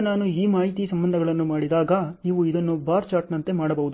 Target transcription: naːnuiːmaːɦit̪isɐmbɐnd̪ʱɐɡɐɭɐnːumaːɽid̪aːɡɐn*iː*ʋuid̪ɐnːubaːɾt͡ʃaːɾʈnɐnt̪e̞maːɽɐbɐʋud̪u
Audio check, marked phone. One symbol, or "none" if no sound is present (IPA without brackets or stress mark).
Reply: iː